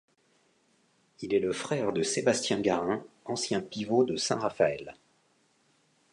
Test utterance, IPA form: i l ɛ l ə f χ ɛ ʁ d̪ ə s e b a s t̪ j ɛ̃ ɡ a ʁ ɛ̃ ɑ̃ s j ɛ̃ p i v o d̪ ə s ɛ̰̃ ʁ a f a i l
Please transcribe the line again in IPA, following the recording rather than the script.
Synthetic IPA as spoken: i l ɛ l ə f χ ɛ ʁ d̪ ə s e b a s t̪ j ɛ̃ ɡ a ʁ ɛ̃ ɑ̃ s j ɛ̃ p i v o d̪ ə s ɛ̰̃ ʁ a f a ɛ l

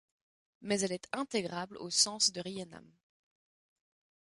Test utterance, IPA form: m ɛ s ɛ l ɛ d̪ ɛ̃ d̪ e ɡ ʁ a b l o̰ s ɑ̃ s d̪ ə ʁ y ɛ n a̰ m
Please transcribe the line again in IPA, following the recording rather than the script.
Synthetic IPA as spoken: m ɛ z ɛ l ɛ t̪ ɛ̃ t̪ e ɡ ʁ a b l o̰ s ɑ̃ s d̪ ə ʁ i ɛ n a̰ m

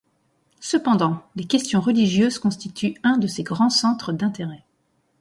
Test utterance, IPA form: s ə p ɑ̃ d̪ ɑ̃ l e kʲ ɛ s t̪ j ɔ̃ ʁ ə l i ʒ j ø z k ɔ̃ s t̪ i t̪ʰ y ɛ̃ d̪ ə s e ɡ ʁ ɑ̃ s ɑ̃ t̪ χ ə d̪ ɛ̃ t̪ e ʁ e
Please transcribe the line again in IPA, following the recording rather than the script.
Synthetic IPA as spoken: s ə p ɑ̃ d̪ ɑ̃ l e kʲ ɛ s t̪ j ɔ̃ ʁ ə l i ʒ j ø z k ɔ̃ s t̪ i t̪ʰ y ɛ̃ d̪ ə s e ɡ ʁ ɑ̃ s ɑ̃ t̪ χ ə d̪ ɛ̃ t̪ e ʁ ɛ

